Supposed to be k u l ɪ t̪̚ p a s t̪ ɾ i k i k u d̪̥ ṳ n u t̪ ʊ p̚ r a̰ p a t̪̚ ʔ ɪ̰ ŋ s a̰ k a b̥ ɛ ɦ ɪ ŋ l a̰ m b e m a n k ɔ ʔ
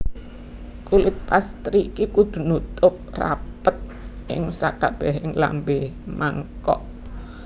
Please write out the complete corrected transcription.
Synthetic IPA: k u l ɪ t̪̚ p a s t̪ ɾ i k i k u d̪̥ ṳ n u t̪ ʊ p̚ r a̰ p ə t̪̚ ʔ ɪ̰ ŋ s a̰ k a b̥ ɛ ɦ ɪ ŋ l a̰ m b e m a ŋ k ɔ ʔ